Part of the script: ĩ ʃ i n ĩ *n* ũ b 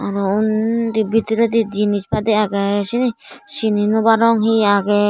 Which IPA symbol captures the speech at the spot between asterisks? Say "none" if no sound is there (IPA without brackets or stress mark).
n